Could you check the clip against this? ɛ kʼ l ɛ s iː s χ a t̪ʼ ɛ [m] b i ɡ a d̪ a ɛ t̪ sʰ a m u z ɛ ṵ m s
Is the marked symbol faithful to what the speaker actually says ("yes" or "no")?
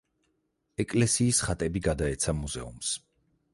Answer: no